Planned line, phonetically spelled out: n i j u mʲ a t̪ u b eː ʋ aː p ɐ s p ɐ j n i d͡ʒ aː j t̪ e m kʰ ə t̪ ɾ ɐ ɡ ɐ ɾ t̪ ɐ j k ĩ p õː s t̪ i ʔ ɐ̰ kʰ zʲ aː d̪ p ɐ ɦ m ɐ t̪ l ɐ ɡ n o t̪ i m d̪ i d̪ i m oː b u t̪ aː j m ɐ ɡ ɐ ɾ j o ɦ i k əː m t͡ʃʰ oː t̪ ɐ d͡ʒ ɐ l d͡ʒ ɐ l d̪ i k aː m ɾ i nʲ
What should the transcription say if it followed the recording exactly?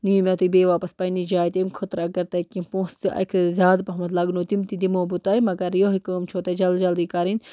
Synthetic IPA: n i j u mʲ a t̪ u b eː ʋ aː p ɐ s p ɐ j n i d͡ʒ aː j t̪ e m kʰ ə t̪ ɾ ɐ ɡ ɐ ɾ t̪ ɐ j k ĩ p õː s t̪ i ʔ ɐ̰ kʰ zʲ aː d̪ p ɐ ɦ m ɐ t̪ l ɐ ɡ n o t̪ i m t̪ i d̪ i m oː b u t̪ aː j m ɐ ɡ ɐ ɾ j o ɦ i k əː m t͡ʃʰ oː t̪ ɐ d͡ʒ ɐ l d͡ʒ ɐ l d̪ i k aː ɾ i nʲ

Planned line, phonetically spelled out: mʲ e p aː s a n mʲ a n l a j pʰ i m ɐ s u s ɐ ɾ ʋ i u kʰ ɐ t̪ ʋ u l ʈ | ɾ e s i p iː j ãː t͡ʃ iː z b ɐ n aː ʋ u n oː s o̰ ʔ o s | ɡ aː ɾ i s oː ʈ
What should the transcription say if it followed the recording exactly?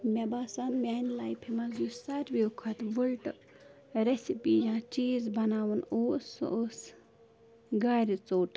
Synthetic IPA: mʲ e b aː s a n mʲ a n l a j pʰ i m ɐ z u s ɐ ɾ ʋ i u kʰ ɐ t̪ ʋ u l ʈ | ɾ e s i p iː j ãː t͡ʃ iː z b ɐ n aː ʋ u n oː s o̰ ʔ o s | ɡ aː ɾ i t͡s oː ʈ

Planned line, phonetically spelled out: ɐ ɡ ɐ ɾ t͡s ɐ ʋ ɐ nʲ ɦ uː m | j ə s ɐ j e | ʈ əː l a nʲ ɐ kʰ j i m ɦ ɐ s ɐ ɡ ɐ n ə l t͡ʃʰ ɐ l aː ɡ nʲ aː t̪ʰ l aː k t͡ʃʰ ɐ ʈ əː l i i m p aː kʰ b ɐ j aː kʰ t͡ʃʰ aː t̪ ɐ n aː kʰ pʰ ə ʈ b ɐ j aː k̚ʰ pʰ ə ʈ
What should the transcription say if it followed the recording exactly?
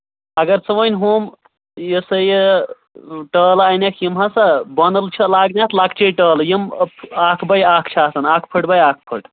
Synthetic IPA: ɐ ɡ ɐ ɾ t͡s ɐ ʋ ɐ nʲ ɦ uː m | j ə s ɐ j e | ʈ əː l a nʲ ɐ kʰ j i m ɦ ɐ s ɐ b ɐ n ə l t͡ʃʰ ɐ l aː ɡ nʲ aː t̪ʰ l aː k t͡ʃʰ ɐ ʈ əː l j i m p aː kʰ b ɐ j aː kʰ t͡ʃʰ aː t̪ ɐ n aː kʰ pʰ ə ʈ b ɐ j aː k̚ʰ pʰ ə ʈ

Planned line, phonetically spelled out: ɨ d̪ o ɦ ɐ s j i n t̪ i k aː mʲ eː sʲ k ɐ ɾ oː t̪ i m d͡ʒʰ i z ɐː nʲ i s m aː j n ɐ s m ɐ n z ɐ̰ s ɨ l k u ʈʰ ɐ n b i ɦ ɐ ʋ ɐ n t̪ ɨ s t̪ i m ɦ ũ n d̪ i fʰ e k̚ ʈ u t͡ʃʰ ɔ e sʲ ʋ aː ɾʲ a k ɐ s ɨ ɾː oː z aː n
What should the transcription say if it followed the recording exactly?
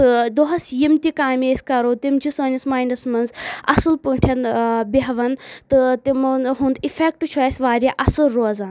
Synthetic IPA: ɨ d̪ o ɦ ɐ s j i m t̪ i k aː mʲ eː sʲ k ɐ ɾ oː t̪ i m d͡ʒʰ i s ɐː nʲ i s m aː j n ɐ s m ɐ n z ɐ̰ s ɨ l p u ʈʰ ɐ n b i ɦ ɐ ʋ ɐ n t̪ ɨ t̪ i m ɦ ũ n d̪ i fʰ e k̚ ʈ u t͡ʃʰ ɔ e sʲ ʋ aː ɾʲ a ʔ ɐ s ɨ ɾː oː z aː n

